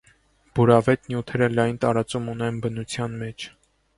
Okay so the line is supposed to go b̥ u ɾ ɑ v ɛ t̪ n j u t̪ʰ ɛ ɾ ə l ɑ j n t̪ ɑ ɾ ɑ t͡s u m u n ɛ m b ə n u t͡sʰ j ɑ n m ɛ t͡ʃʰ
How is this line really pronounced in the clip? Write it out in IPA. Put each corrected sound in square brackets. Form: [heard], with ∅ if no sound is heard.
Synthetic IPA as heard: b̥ u ɾ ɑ v ɛ t̪ n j u t̪ʰ ɛ ɾ ə l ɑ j n t̪ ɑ ɾ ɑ t͡s u m u n ɛ [n] b ə n u t͡sʰ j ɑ n m ɛ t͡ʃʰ